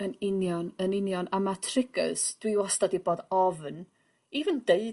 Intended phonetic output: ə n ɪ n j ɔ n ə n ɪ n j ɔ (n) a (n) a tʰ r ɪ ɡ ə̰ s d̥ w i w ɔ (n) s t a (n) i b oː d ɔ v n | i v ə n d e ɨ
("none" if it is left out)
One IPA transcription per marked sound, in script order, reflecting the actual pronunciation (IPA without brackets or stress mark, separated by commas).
n, m, none, d